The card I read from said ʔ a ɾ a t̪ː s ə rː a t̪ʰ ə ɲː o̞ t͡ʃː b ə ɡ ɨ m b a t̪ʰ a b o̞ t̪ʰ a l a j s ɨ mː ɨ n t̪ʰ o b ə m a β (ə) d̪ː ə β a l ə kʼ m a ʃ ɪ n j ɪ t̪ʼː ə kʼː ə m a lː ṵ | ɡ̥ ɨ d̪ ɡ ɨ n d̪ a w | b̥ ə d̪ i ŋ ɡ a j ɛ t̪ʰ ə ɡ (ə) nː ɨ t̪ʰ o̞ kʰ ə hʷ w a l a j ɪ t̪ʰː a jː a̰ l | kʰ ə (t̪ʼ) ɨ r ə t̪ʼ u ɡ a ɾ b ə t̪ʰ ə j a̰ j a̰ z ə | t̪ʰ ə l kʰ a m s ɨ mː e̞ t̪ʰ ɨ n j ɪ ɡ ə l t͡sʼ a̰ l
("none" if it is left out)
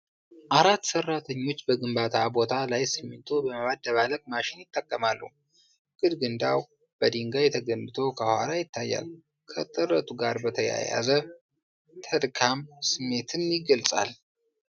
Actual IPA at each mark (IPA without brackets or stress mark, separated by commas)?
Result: a, ə, t̪ʼ